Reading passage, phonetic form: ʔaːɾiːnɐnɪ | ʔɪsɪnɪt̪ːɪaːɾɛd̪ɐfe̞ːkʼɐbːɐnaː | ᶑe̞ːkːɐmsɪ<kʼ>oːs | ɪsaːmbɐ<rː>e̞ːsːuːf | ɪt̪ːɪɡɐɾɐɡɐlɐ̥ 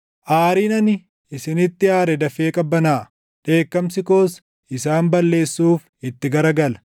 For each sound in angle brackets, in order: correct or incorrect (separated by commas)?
incorrect, incorrect